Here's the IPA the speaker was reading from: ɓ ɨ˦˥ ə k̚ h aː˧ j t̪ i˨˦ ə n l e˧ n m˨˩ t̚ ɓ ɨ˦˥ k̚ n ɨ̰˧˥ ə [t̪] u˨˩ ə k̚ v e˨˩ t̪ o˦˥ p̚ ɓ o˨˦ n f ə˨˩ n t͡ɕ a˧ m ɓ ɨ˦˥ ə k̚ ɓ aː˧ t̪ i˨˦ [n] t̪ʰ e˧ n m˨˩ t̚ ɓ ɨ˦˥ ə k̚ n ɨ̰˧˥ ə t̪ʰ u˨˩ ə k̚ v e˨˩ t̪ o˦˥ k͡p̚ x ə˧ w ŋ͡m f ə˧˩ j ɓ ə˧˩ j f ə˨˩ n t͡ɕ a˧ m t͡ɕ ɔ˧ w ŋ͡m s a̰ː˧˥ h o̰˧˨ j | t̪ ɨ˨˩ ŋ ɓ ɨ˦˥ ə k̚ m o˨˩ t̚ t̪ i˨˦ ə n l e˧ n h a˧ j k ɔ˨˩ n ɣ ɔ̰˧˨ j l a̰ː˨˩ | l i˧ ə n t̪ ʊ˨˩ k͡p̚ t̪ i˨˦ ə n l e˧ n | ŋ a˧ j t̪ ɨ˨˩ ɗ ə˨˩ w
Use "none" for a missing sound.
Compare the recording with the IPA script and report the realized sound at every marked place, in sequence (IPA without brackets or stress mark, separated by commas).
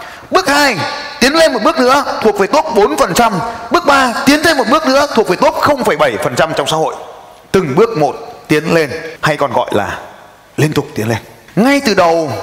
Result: t̪ʰ, n